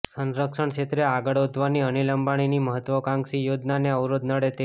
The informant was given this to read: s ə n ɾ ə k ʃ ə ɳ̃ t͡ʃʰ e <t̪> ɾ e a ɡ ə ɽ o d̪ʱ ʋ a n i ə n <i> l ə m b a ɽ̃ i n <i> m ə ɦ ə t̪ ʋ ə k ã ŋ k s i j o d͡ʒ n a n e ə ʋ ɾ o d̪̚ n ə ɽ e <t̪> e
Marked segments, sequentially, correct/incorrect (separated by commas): correct, correct, correct, correct